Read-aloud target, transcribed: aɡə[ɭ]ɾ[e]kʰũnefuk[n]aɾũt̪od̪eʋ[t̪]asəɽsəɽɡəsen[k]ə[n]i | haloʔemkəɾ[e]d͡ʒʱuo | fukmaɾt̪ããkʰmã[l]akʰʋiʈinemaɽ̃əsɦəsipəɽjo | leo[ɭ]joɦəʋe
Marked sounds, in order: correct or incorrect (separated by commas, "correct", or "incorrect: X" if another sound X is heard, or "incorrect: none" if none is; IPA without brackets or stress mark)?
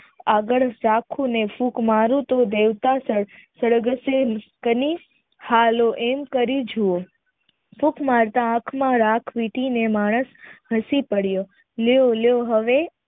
correct, incorrect: a, incorrect: m, correct, correct, correct, incorrect: i, incorrect: ɾ, incorrect: l